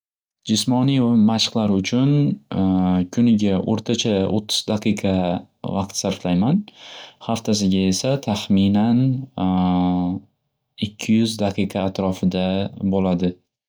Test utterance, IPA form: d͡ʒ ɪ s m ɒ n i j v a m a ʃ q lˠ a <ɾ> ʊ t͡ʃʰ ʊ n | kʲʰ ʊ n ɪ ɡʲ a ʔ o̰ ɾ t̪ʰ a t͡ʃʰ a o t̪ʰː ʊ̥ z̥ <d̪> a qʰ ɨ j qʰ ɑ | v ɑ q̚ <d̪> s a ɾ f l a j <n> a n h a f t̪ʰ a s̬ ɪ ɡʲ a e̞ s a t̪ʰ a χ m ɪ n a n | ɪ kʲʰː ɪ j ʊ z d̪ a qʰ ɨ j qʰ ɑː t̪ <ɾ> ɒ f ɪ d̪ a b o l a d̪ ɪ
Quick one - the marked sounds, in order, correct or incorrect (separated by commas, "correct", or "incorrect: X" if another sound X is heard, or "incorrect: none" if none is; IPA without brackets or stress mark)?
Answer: correct, correct, incorrect: t̪, incorrect: m, correct